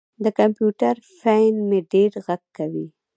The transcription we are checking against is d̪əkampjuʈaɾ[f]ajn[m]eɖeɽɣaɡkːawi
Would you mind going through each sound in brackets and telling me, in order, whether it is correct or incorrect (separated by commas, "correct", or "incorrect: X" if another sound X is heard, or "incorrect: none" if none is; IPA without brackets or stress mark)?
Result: correct, correct